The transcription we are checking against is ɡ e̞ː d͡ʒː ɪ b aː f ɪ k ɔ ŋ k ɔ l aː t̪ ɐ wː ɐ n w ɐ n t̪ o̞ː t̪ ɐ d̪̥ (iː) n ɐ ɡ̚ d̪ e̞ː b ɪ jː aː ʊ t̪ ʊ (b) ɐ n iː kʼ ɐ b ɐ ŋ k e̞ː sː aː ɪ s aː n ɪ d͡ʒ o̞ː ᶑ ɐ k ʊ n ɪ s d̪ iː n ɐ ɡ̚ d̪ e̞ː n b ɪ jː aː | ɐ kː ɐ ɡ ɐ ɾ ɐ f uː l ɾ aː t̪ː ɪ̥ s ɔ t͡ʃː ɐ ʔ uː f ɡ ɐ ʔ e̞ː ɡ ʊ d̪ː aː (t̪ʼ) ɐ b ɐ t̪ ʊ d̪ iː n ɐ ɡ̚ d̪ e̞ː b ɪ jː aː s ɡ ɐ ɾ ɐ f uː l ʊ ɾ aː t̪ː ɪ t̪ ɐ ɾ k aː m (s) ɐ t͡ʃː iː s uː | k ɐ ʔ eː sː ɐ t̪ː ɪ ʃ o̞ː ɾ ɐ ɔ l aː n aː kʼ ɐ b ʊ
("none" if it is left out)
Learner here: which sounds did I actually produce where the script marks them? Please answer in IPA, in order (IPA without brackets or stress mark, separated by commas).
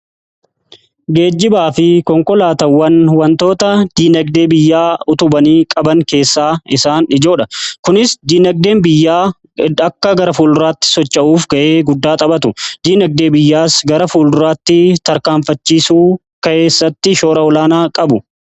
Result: iː, b, t̪ʼ, f